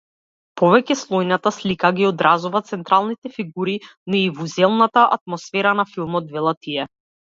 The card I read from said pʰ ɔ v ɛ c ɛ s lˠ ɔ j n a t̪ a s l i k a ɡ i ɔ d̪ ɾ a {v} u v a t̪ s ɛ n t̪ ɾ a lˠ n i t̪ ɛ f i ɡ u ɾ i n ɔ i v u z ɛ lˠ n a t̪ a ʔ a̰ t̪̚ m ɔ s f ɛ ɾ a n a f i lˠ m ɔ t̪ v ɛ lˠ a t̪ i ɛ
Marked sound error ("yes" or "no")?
yes